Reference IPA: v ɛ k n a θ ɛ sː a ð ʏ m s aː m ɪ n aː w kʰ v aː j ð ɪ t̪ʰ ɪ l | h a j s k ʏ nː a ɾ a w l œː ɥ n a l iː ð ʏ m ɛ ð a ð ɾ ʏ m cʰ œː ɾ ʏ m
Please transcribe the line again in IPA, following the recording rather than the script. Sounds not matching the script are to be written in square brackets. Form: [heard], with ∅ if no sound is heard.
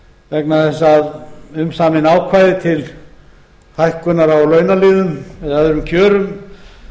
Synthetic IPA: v ɛ k n a θ ɛ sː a ð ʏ m s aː m ɪ n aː w kʰ v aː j ð ɪ t̪ʰ ɪ l | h a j [h] k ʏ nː a ɾ a w l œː ɥ n a l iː ð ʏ m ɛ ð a ð ɾ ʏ m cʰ œː ɾ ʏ m